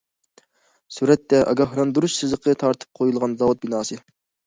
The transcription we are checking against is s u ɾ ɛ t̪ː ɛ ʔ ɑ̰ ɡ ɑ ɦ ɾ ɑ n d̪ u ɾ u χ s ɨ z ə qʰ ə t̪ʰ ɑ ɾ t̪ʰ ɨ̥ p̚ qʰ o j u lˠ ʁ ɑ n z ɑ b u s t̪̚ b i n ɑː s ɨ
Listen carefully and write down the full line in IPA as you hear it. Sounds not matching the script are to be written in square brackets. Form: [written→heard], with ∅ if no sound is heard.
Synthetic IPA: s u ɾ ɛ t̪ː ɛ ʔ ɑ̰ ɡ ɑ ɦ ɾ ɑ n d̪ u ɾ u [χ→ʃ] s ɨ z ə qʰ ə t̪ʰ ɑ ɾ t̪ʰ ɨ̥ p̚ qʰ o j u lˠ ʁ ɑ n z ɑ [b→w] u [s→∅] t̪̚ b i n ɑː s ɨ